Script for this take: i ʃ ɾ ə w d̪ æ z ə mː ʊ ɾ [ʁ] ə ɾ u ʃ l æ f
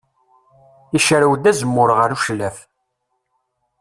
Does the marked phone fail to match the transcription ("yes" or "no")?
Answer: no